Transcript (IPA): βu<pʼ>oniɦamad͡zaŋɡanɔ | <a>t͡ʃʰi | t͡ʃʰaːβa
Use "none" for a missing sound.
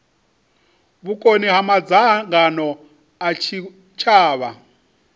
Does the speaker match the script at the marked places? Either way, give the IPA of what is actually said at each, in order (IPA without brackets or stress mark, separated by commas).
kʼ, a